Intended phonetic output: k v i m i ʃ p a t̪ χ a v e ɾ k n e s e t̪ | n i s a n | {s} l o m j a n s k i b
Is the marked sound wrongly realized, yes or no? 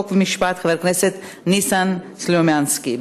no